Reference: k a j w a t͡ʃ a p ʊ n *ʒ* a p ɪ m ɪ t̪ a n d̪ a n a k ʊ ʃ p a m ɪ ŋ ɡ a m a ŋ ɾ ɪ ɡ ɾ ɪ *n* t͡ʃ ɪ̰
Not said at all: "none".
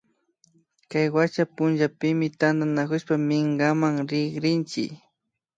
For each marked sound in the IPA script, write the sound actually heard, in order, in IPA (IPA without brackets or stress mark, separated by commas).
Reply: ʒ, n